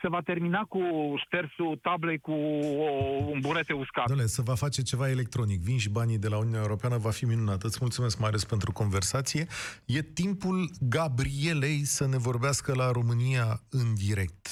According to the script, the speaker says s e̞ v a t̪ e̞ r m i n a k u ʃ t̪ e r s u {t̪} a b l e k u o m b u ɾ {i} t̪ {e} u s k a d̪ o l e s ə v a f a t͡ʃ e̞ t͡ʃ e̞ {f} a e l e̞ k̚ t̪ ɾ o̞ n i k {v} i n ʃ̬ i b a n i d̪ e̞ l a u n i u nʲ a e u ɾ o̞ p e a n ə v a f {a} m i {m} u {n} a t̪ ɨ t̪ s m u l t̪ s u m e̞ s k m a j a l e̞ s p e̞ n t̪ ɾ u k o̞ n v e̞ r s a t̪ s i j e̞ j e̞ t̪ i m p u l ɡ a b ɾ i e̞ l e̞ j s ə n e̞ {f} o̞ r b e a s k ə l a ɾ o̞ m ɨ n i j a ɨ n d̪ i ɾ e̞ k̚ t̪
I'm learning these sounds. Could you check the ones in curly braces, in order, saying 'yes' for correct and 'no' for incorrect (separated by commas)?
yes, no, yes, no, yes, no, no, yes, no